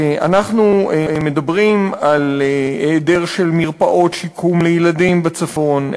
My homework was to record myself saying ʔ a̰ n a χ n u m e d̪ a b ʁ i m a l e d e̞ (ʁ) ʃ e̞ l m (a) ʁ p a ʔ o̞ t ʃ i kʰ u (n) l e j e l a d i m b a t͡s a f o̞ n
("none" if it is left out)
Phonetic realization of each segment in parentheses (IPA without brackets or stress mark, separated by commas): ʁ, i, m